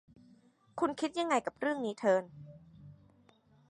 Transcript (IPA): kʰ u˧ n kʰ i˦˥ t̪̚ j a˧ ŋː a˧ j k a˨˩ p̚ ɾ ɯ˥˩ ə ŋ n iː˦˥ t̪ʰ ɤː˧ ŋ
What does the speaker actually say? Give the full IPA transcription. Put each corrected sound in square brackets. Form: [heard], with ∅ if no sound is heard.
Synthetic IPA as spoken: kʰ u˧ n kʰ i˦˥ t̪̚ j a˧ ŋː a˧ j k a˨˩ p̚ ɾ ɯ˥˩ ə ŋ n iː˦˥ t̪ʰ ɤː˧ [n]